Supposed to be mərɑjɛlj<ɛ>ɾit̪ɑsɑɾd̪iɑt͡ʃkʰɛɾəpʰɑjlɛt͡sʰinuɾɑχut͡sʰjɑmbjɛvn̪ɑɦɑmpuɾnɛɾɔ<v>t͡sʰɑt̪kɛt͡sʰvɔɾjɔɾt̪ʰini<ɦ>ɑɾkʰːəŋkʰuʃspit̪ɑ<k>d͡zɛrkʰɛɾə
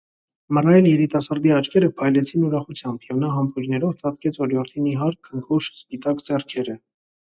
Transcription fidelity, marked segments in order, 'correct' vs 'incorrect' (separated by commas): correct, correct, correct, correct